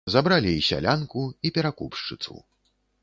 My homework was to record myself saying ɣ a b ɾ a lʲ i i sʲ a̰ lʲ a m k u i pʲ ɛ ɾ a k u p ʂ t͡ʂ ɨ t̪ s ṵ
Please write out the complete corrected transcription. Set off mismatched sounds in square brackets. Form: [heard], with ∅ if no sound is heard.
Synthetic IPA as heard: [z] a b ɾ a lʲ i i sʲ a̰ lʲ a [n] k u i pʲ ɛ ɾ a k u p ʂ t͡ʂ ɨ t̪ s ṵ